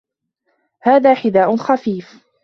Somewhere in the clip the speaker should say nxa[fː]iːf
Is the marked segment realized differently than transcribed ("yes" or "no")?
yes